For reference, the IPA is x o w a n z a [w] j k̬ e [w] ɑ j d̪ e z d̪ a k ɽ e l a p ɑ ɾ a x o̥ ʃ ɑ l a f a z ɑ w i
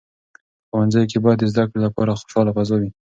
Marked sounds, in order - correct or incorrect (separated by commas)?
incorrect, incorrect